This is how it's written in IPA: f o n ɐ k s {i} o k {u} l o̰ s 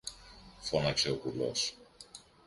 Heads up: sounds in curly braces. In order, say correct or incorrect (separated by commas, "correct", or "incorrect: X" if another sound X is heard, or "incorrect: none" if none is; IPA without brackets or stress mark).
incorrect: e, correct